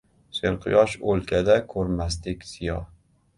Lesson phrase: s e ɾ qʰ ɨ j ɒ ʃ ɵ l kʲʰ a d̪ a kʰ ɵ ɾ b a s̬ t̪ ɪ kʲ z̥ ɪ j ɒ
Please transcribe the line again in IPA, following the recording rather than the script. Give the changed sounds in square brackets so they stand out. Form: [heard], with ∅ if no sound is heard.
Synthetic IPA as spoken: s e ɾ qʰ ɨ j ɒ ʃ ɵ l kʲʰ a d̪ a kʰ ɵ ɾ [m] a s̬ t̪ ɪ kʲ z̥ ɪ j ɒ